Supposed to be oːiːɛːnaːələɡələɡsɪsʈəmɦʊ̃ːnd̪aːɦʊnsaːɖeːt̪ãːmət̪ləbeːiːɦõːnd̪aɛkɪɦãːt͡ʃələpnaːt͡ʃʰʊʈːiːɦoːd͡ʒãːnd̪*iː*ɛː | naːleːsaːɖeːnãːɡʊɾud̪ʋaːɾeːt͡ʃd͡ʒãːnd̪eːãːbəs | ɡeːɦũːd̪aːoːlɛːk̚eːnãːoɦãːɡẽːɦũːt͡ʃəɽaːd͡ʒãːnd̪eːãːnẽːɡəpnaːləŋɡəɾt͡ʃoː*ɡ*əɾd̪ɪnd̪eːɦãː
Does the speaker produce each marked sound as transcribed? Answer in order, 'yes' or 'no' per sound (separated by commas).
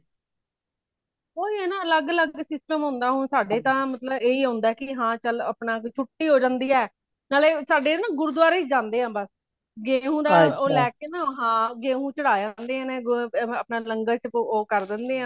yes, no